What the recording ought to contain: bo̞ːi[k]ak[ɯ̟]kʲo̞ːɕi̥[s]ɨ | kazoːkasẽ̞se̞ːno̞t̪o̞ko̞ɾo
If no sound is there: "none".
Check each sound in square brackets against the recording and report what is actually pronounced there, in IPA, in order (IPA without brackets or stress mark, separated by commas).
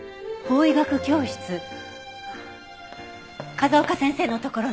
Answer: ɡ, ɯ̟, t͡s